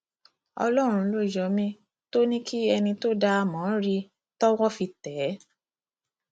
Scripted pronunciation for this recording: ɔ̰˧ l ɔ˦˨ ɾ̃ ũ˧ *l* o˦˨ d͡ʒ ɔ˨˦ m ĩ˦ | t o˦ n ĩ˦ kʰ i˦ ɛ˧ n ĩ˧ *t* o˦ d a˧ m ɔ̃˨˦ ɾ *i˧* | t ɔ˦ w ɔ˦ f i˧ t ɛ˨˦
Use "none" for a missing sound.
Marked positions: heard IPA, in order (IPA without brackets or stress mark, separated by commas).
l, t, i˧